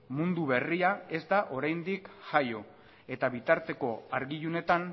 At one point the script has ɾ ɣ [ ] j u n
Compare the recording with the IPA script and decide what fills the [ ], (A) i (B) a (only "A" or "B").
A